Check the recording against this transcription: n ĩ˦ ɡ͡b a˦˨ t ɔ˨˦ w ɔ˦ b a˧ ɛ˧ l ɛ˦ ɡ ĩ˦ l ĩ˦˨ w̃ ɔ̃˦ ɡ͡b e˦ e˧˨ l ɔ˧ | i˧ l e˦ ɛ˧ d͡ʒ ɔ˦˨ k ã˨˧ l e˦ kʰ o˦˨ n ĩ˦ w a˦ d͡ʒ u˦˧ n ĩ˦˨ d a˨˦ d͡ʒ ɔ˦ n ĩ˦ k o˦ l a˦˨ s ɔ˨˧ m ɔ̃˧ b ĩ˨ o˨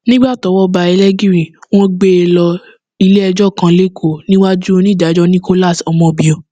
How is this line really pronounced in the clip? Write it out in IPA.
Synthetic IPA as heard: n ĩ˦ ɡ͡b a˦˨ t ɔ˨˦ w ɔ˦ b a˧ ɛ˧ l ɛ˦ ɡ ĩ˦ ɾ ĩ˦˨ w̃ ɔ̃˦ ɡ͡b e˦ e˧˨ l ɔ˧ | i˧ l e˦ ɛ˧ d͡ʒ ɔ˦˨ k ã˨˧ l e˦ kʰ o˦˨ n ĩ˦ w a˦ d͡ʒ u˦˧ n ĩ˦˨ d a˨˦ d͡ʒ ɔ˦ n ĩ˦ k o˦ l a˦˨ s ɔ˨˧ m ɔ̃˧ b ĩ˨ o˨